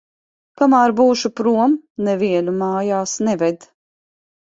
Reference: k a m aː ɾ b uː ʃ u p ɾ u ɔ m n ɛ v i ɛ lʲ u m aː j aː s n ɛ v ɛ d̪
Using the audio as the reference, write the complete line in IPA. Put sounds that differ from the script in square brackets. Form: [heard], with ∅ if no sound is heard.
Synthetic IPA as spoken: k a m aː ɾ b uː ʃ u p ɾ u ɔ m n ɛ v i ɛ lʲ u m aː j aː s n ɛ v ɛ d̪